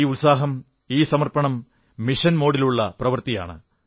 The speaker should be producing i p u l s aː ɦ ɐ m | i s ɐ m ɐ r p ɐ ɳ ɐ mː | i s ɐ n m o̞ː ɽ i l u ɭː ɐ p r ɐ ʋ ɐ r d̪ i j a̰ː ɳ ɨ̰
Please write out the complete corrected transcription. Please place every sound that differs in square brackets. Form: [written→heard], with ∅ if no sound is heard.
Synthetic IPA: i [p→∅] u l s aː ɦ ɐ m | [i→iː] s ɐ m ɐ r p ɐ ɳ ɐ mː | i [s→ʂ] ɐ n m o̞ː ɽ i l u ɭː ɐ p r ɐ ʋ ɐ r [d̪→t̪] i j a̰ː ɳ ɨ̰